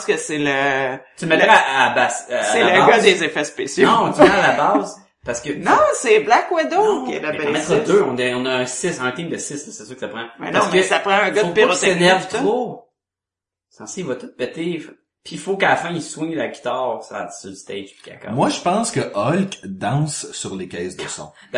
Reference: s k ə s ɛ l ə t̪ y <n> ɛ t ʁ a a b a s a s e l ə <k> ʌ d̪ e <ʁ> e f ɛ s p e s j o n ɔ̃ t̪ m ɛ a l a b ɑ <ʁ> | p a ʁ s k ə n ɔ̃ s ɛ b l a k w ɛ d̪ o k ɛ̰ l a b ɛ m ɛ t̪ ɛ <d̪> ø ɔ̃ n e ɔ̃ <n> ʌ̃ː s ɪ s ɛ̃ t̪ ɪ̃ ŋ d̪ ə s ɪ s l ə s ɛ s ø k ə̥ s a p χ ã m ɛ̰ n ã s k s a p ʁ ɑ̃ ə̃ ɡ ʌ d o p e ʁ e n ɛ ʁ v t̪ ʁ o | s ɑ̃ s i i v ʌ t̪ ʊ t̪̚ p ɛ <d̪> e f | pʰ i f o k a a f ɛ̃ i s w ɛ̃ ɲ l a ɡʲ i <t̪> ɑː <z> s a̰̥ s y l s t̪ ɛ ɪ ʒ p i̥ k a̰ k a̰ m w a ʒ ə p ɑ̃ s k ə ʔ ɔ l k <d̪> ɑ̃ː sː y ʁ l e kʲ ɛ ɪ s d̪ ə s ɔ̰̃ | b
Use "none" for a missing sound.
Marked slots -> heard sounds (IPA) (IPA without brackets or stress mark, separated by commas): m, ɡ, z, z, d̪, n, t̪, t̪, ʁ, d̪